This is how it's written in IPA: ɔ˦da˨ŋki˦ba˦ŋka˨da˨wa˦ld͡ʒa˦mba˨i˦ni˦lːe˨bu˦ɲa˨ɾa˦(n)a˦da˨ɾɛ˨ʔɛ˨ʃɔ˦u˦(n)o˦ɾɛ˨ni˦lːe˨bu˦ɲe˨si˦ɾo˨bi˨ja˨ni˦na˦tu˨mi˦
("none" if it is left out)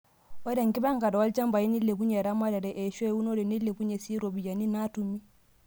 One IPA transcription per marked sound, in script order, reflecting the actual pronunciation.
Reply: m, n

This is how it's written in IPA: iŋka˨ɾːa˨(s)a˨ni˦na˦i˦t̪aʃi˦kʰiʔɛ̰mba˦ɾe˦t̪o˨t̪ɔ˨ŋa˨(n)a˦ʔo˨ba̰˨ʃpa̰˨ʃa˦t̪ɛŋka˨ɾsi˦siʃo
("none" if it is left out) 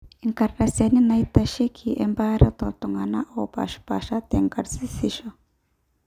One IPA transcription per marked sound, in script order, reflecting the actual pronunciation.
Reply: s, n

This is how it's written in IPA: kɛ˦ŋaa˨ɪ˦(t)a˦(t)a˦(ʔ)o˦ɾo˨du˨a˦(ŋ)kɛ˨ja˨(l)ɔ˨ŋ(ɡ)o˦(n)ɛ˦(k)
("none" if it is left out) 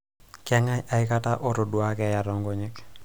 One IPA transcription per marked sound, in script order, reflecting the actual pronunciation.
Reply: k, t, ʔ, none, ɾ, ɡ, ɲ, k

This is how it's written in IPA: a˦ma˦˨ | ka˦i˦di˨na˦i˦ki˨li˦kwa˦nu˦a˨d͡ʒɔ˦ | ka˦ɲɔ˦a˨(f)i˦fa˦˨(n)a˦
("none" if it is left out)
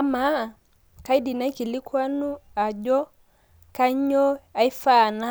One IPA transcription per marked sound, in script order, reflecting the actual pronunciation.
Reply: none, n

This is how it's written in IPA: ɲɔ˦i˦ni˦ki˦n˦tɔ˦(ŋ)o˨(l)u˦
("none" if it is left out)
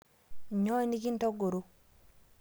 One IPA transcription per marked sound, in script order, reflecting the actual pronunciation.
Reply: ɡ, ɾ

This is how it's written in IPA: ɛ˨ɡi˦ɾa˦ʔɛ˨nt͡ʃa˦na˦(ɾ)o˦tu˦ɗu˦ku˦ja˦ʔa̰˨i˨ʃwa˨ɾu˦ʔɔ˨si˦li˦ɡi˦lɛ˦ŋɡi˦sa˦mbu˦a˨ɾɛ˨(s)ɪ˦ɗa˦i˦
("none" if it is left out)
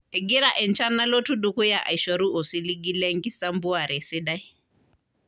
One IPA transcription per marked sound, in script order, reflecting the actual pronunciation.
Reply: l, s

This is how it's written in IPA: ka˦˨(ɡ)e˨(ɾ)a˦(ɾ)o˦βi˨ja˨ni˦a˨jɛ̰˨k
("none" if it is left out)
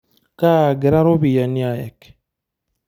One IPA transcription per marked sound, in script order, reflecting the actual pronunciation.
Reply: ɡ, ɾ, ɾ

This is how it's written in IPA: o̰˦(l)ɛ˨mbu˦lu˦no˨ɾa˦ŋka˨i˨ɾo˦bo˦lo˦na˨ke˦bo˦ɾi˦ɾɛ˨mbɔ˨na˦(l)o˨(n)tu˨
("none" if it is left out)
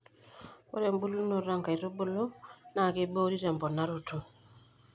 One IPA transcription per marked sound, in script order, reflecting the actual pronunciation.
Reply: ɾ, ɾ, none

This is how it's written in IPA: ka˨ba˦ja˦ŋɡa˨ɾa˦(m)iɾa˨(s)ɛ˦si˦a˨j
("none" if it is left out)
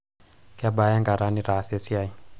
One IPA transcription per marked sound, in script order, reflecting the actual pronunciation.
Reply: n, s

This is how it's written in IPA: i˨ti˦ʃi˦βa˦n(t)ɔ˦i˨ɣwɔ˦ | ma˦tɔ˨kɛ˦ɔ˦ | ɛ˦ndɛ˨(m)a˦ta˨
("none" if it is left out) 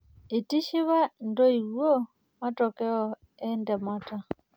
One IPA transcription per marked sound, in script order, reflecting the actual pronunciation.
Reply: d, m

